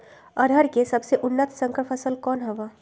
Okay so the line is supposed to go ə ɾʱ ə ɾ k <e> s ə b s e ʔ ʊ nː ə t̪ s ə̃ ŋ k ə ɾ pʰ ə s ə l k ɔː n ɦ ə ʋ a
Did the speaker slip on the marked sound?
no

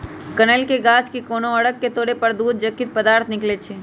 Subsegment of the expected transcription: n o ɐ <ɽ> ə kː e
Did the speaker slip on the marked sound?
no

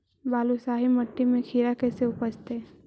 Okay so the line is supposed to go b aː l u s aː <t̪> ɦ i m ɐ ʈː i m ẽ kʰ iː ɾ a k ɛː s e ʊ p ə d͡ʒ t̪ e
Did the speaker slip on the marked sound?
yes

